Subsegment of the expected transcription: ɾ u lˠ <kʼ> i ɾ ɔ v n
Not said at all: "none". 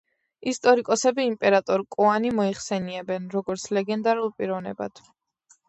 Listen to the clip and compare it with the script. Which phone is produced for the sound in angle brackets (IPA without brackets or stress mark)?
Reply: pʼ